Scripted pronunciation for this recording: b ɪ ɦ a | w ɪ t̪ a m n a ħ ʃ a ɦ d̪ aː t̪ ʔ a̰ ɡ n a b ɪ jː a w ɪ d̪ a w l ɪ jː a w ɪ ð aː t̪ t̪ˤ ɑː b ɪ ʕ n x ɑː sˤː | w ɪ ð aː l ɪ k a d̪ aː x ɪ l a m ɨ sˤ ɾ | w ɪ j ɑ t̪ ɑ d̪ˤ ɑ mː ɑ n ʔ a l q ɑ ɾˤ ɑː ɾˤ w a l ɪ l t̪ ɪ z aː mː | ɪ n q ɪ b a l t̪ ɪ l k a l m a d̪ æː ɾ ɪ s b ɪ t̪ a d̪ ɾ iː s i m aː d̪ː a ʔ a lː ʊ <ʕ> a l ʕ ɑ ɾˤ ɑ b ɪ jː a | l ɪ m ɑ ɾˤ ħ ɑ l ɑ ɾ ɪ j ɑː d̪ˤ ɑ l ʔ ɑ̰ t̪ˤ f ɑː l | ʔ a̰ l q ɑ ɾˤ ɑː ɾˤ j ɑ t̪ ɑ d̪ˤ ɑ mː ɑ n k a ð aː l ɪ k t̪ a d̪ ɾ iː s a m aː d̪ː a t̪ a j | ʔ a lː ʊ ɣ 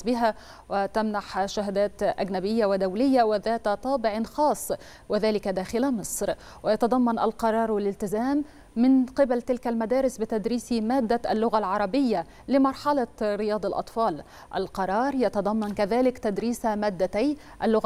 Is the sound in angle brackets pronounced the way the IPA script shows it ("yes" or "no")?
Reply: no